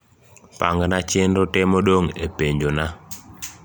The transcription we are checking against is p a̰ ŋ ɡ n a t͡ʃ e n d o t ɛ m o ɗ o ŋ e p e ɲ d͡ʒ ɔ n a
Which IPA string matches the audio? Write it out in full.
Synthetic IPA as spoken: p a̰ ŋ ɡ n a t͡ʃ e n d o t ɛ m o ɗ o ŋ e p e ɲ d͡ʒ o n a